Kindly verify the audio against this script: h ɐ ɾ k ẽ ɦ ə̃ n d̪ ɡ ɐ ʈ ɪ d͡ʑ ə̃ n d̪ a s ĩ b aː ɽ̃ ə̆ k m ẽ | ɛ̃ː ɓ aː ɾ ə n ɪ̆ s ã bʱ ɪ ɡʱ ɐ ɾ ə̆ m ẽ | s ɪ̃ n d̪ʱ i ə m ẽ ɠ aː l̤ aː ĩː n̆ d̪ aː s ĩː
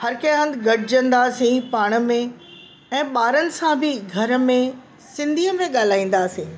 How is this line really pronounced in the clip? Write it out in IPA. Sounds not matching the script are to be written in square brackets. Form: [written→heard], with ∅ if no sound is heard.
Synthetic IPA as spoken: h ɐ ɾ k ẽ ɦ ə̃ n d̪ ɡ ɐ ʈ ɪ d͡ʑ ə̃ n d̪ a s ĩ [b→p] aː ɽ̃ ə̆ [k→∅] m ẽ | ɛ̃ː ɓ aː ɾ ə n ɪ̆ s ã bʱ ɪ ɡʱ ɐ ɾ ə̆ m ẽ | s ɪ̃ n d̪ʱ i ə m ẽ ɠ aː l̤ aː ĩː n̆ d̪ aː s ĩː